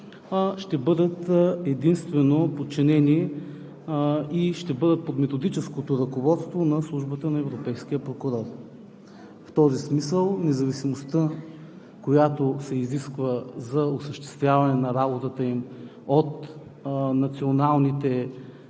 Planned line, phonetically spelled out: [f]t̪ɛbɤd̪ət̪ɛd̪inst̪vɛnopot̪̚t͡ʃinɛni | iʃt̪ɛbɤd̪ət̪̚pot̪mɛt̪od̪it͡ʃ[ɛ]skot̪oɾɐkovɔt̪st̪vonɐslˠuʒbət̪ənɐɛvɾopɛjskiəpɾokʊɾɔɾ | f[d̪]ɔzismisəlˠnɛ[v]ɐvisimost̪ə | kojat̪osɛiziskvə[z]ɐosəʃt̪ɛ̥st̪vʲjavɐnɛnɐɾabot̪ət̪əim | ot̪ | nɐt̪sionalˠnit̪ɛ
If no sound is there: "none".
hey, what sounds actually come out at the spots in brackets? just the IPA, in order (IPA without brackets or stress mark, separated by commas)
ʃ, ɛ, t̪, z, z